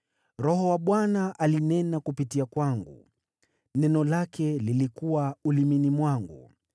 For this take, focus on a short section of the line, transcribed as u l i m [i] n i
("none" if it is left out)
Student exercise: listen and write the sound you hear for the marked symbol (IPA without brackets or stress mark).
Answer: i